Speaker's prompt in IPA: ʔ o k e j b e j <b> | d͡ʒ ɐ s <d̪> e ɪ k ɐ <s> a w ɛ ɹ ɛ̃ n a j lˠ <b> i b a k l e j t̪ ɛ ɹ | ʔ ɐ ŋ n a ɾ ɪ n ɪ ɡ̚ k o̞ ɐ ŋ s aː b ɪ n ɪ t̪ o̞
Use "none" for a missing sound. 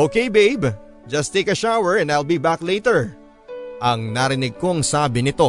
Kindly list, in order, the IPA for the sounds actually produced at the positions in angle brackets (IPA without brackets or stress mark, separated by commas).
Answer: b, t̪, ʃ, b